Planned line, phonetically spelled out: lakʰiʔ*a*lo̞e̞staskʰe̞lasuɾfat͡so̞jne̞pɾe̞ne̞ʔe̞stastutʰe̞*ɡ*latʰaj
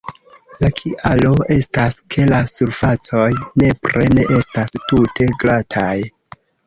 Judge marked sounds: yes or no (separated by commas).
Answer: yes, yes